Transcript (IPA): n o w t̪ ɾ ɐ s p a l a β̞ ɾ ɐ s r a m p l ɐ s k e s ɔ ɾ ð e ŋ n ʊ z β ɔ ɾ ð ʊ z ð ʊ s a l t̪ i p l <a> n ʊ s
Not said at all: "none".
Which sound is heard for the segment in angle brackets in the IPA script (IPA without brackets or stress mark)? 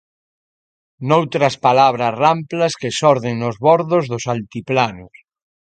a